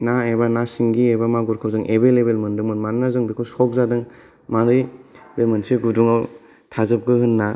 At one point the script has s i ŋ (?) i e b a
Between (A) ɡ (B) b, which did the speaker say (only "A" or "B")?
A